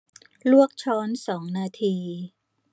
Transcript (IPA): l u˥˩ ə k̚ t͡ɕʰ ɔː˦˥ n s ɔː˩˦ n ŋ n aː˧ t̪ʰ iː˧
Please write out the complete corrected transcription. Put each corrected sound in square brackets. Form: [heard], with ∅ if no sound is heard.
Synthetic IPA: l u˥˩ ə k̚ t͡ɕʰ ɔː˦˥ n s ɔː˩˦ [∅] ŋ n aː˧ t̪ʰ iː˧